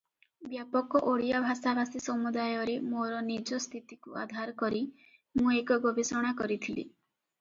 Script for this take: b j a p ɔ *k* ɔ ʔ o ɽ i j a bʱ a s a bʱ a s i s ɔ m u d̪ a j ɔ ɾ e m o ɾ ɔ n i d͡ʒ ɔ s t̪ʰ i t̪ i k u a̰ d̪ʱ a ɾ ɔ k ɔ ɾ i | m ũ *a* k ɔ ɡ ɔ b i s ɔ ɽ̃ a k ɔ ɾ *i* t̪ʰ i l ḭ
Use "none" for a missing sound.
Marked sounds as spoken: k, e, i

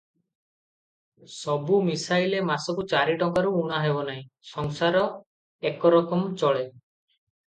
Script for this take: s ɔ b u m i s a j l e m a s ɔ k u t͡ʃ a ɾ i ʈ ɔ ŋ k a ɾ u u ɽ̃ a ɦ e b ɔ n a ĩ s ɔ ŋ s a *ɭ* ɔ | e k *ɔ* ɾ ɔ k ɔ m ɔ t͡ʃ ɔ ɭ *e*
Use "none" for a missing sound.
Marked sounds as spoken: ɾ, ɔ, e

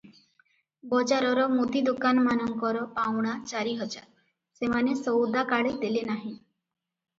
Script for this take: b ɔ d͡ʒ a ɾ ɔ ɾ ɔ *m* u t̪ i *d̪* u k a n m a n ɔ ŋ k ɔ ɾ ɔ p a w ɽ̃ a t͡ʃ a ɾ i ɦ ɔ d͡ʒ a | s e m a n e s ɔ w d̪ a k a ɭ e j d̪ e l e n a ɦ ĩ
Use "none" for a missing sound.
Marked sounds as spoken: m, d̪

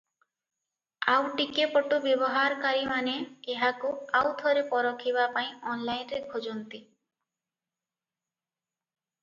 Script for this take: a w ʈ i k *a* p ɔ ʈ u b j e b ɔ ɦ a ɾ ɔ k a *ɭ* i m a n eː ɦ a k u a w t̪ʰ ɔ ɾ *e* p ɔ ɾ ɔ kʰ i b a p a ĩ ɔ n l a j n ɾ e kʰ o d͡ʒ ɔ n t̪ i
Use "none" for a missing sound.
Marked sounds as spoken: e, ɾ, e

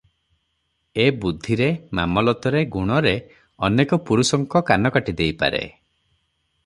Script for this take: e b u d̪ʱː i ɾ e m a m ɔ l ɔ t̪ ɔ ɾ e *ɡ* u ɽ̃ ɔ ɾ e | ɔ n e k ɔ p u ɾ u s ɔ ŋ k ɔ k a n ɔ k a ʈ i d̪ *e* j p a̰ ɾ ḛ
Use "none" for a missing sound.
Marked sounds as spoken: ɡ, e

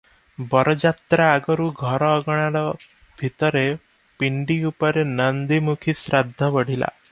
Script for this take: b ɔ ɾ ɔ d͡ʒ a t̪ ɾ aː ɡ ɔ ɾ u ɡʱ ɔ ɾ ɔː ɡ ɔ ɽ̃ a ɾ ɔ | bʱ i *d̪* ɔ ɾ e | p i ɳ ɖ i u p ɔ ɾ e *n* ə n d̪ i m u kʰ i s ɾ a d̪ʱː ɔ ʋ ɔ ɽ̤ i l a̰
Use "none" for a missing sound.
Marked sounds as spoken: t̪, n

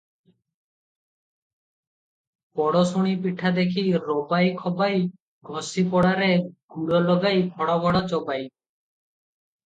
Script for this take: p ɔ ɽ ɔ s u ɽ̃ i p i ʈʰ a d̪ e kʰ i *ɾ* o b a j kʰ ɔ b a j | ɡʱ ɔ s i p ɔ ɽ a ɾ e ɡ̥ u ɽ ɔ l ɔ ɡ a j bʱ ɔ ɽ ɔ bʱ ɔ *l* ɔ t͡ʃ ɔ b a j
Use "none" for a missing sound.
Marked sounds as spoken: ɾ, ɽ

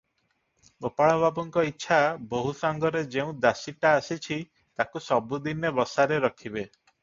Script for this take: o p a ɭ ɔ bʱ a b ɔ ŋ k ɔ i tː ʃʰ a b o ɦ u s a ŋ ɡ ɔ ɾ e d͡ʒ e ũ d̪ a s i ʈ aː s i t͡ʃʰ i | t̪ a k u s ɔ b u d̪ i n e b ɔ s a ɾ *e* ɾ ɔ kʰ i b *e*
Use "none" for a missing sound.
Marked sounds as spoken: e, e

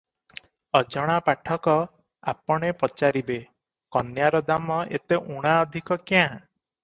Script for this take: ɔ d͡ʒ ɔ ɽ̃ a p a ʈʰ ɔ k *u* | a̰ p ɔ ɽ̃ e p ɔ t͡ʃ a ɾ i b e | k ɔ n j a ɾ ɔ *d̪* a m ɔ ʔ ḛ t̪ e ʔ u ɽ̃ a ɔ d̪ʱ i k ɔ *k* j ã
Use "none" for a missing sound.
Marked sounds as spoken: ɔ, d̪, k

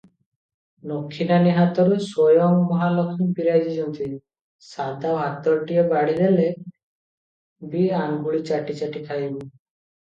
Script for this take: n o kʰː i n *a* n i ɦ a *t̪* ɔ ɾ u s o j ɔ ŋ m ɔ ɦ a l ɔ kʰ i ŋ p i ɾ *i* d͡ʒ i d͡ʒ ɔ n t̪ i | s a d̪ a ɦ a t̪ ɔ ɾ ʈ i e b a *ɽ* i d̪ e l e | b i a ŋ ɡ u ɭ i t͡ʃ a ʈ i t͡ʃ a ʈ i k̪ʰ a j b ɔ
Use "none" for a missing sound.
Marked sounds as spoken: a, t̪, a, ɽ

